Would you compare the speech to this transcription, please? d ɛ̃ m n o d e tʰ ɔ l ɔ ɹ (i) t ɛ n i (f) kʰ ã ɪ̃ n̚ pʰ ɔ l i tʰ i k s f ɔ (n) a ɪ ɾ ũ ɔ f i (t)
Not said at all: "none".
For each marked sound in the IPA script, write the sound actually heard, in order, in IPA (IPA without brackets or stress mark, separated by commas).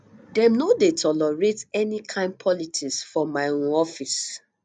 e, none, m, s